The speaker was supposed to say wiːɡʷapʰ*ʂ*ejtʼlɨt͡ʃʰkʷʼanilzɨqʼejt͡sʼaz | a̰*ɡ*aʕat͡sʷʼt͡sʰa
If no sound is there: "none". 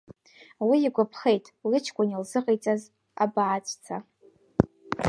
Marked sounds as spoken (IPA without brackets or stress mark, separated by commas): χ, b